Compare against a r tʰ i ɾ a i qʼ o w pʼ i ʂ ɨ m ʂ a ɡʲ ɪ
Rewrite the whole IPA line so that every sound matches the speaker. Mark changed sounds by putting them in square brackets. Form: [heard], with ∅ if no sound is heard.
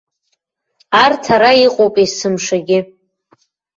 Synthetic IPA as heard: a r tʰ [a] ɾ a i qʼ o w pʼ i [s] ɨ m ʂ a ɡʲ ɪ